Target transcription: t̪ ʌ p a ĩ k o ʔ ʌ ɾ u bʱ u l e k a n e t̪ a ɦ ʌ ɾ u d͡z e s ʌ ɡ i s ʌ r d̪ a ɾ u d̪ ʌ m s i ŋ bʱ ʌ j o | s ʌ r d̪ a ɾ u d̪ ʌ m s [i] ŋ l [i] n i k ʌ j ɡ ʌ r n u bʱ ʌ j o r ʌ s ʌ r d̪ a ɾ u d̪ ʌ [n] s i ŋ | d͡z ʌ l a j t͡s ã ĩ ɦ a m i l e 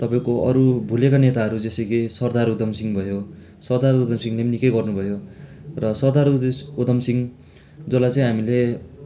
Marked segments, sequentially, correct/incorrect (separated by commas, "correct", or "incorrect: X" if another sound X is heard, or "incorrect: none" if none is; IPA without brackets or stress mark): correct, incorrect: e, incorrect: m